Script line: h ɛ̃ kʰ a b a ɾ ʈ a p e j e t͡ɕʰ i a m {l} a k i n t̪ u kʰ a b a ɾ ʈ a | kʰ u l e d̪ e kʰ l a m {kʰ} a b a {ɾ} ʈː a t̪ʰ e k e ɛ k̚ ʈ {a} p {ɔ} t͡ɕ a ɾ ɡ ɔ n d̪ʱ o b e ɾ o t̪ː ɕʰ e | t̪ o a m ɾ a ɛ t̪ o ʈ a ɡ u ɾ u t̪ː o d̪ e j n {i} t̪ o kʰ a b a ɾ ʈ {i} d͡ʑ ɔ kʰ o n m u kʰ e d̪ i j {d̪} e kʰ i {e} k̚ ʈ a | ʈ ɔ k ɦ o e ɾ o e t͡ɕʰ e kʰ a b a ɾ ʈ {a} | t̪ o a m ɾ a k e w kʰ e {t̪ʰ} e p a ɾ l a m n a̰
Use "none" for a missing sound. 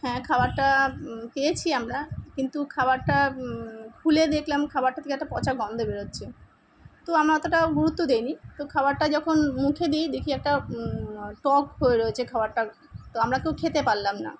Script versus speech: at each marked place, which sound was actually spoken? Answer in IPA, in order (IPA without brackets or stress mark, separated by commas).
ɾ, kʰ, ɾ, a, ɔ, i, a, d̪, ɛ, a, t̪